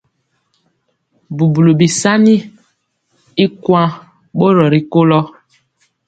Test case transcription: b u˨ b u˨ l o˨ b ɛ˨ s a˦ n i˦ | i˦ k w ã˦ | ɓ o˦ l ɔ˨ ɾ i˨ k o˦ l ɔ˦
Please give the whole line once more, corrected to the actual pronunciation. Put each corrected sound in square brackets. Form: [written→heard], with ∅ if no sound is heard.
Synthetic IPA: b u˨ b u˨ l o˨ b [ɛ˨→i˨] s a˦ n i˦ | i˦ k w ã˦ | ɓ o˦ [l→ɾ] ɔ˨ ɾ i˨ k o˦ l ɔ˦